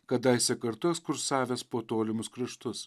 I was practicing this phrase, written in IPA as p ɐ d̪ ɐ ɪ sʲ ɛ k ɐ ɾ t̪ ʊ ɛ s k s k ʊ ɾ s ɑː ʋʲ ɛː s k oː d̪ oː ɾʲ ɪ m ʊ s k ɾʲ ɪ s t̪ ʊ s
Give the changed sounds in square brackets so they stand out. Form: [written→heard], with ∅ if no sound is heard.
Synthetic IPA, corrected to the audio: [p→k] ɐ d̪ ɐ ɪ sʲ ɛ k ɐ ɾ t̪ ʊ ɛ [s→∅] k s k ʊ ɾ s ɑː ʋʲ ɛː s [k→p] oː [d̪→t̪] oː [ɾʲ→lʲ] ɪ m ʊ s k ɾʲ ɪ [s→ʃ] t̪ ʊ s